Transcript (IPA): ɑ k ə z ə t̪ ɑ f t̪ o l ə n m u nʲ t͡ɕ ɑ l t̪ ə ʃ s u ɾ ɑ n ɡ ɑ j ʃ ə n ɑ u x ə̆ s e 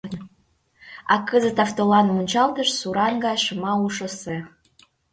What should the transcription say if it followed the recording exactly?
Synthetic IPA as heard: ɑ k ə z ə t̪ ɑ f t̪ o l ɑ n m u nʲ t͡ɕ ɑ l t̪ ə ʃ s u ɾ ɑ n ɡ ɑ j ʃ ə m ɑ u ʃ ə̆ s e

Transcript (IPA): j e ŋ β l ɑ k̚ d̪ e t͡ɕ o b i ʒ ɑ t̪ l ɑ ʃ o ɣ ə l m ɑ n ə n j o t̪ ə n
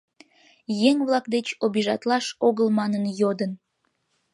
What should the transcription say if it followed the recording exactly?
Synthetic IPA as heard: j e ŋ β l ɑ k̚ d̪ e t͡ɕ o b i ʒ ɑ t̪ l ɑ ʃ o ɣ ə l m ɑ n ə n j o d̪ ə n

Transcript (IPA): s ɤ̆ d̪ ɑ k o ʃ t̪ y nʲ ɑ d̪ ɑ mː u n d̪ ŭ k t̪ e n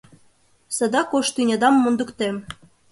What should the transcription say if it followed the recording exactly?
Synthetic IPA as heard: s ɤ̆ d̪ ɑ k o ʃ t̪ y nʲ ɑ d̪ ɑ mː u n d̪ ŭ k t̪ e m

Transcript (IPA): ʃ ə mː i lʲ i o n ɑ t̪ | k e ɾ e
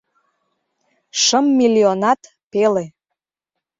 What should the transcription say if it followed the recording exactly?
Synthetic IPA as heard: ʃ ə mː i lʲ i o n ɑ t̪ | p e l e

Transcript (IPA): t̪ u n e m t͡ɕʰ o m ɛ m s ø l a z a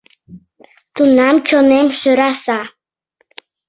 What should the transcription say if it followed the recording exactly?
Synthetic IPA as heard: t̪ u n a m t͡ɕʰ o n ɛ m s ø ɾ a s a

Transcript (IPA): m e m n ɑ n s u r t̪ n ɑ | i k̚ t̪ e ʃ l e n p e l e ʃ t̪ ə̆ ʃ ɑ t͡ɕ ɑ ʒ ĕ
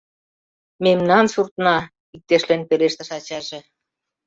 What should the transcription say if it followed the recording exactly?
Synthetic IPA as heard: m e m n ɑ n s u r t̪ n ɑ | i k̚ t̪ e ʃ l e n p e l e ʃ t̪ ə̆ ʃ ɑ t͡ɕ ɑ ʒ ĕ

